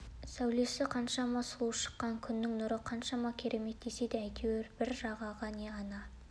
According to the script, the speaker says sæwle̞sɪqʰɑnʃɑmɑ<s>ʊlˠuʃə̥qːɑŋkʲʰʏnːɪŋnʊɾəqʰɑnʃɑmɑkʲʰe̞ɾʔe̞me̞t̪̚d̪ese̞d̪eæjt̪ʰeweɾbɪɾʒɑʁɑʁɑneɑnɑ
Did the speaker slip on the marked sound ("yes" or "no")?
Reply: no